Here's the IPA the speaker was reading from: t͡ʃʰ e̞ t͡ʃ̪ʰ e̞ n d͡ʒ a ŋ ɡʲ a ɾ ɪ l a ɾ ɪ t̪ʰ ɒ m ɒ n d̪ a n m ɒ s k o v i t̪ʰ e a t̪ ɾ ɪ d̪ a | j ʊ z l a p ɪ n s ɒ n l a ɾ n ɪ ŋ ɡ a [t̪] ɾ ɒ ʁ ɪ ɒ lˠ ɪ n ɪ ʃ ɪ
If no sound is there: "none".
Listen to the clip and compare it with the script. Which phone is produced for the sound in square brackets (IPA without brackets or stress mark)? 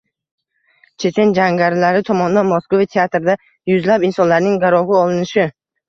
none